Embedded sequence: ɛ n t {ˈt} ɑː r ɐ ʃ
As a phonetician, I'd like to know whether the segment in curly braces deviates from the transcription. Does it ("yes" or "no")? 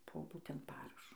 yes